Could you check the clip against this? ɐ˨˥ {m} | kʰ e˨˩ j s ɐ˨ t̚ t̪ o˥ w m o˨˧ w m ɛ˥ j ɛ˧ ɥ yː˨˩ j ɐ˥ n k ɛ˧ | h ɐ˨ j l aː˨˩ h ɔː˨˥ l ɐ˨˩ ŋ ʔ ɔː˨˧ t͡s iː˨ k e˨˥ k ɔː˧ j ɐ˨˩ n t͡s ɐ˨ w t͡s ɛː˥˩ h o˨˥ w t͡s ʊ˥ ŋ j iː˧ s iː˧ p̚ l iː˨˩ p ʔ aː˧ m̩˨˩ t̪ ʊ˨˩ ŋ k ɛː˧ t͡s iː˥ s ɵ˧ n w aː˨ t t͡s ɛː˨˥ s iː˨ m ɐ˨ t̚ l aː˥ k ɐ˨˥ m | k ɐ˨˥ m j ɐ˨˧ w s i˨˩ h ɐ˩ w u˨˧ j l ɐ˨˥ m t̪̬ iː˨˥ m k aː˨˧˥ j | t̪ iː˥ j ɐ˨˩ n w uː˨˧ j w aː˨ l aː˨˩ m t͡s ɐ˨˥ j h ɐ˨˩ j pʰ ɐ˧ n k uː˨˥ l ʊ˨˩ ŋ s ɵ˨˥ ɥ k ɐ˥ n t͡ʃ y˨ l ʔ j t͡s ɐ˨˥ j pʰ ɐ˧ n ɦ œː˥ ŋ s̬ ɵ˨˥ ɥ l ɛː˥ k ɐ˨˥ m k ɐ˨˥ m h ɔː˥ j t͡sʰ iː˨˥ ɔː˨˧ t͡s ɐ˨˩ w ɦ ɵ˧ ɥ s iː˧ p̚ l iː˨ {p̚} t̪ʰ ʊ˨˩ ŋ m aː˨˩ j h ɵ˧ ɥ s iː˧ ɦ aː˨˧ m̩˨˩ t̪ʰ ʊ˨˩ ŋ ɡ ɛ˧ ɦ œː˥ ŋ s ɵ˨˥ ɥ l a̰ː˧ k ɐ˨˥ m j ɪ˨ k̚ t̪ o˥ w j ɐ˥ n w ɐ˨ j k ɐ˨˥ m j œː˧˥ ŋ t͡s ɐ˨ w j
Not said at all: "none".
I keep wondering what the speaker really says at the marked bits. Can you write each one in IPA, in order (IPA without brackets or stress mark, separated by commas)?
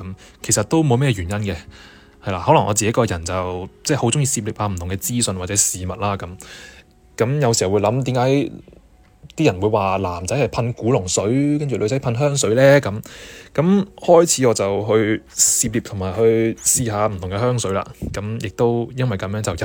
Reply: m, p̚